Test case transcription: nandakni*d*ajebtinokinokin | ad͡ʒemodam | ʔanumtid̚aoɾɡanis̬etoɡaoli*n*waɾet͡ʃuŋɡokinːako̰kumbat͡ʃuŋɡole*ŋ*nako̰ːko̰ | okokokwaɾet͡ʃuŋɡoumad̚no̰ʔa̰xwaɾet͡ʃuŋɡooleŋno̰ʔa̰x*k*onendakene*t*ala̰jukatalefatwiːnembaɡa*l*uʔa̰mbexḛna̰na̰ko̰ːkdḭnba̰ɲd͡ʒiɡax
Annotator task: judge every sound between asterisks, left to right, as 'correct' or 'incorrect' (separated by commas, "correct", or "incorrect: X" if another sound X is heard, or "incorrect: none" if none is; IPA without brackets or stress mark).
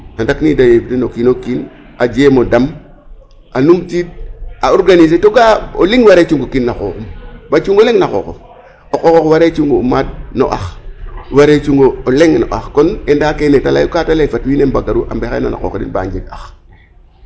correct, incorrect: ŋ, correct, correct, correct, incorrect: ɾ